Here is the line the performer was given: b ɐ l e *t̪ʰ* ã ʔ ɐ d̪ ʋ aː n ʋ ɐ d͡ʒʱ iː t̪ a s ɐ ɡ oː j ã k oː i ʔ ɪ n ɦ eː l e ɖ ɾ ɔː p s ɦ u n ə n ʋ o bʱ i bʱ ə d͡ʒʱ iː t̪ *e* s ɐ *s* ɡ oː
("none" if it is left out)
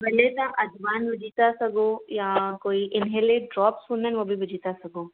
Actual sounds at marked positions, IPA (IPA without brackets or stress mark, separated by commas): t̪, a, none